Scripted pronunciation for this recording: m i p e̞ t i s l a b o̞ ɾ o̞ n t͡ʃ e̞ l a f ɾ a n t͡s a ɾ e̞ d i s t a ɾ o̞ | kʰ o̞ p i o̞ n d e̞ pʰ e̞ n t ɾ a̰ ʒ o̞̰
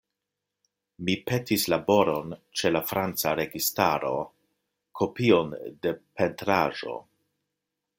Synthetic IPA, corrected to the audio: m i p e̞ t i s l a b o̞ ɾ o̞ n t͡ʃ e̞ l a f ɾ a n t͡s a ɾ e̞ ɡ i s t a ɾ o̞ | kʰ o̞ p i o̞ n d e̞ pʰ e̞ n t ɾ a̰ ʒ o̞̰